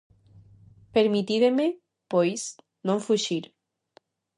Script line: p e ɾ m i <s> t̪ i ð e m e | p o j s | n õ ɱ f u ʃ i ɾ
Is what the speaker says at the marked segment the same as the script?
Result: no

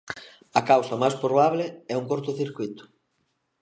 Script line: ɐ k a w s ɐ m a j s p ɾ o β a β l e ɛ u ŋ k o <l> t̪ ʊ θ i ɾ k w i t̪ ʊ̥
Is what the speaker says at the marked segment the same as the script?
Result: no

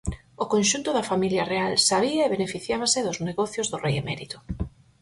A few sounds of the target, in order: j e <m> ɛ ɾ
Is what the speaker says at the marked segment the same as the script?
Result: yes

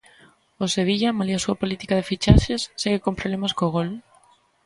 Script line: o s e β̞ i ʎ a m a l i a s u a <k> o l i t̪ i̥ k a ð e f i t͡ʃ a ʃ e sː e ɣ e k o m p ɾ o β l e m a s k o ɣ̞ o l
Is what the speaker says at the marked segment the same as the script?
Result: no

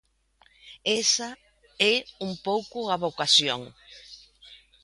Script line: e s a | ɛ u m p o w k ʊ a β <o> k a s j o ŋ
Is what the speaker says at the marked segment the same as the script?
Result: yes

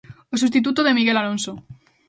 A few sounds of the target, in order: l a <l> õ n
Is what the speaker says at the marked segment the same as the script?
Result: yes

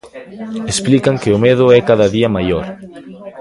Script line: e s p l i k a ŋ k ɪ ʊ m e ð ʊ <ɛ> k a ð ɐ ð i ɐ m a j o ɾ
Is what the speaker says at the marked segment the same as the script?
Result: yes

